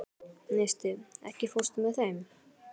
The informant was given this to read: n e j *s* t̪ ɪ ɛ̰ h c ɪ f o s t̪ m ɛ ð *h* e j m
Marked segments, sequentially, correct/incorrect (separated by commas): correct, incorrect